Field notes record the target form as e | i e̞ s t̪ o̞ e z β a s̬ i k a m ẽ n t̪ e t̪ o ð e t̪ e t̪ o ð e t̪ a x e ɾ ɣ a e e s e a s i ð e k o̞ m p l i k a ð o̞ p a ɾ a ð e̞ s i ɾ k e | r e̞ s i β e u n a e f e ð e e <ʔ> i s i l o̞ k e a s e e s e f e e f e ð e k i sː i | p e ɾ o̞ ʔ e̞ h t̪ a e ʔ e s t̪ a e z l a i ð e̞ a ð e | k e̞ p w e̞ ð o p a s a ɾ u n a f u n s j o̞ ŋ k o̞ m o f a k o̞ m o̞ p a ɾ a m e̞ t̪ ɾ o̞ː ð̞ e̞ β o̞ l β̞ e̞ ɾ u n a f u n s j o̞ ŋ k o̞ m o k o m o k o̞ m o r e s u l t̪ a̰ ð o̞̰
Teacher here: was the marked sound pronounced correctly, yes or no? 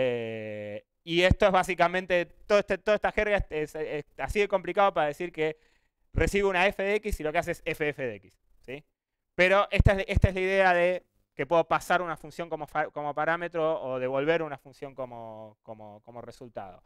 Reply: no